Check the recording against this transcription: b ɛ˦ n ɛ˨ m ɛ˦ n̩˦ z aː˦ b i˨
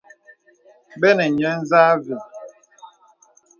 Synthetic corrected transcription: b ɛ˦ n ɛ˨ ɲ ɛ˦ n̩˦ z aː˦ v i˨